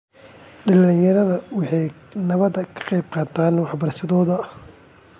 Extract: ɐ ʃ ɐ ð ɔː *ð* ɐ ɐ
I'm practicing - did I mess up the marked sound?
no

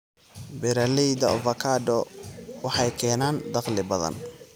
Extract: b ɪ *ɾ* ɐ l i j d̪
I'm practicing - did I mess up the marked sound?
no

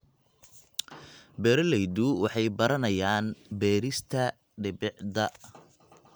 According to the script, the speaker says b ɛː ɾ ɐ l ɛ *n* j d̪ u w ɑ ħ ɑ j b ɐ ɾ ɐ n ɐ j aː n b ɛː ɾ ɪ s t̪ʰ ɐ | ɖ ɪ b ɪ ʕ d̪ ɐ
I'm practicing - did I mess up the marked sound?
yes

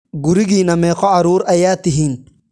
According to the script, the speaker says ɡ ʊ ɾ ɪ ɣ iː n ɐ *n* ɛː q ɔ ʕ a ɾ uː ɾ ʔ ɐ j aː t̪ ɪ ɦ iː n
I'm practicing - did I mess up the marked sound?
yes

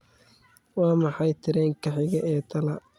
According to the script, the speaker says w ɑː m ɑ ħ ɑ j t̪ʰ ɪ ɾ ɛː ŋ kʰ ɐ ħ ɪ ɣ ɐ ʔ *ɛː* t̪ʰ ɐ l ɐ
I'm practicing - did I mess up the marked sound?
no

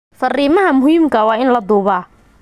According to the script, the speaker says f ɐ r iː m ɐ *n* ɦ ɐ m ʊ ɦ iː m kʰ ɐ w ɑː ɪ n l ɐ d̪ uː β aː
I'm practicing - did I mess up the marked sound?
yes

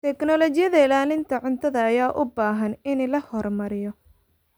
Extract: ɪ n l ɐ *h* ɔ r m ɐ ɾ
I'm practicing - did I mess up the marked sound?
no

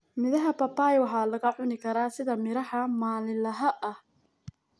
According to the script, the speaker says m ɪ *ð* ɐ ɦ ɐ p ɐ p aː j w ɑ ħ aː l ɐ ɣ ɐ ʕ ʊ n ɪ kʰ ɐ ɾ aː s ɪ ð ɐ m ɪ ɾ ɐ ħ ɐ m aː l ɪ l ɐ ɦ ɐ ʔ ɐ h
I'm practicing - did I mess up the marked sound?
no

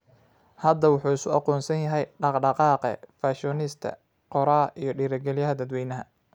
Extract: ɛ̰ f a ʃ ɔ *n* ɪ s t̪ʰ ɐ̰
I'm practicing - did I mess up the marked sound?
no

